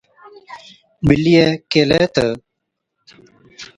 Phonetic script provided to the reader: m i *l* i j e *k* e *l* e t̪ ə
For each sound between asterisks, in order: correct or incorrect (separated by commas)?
correct, correct, correct